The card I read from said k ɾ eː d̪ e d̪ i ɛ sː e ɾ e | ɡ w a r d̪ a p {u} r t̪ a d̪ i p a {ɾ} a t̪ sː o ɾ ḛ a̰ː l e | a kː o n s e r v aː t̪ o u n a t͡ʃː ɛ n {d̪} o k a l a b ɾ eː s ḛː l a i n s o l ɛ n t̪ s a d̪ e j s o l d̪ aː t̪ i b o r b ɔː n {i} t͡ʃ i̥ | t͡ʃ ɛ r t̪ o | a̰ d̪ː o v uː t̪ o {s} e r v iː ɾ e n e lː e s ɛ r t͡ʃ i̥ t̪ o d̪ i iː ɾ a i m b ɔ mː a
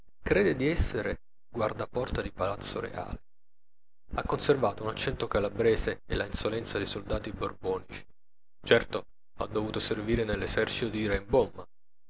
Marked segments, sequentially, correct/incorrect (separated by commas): incorrect, incorrect, incorrect, correct, correct